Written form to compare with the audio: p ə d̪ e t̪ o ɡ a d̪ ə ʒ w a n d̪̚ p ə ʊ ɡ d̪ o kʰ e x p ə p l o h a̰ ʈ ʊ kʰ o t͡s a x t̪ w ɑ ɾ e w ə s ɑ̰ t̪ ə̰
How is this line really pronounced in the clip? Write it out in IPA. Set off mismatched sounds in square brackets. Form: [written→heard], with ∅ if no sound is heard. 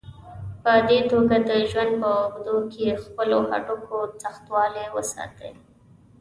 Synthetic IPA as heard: p ə d̪ e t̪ o ɡ a d̪ ə ʒ w a n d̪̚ p ə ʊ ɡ d̪ o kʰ e x p ə [p→∅] l o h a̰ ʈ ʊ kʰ o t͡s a x t̪ w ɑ [ɾ→l] e w ə s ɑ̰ t̪ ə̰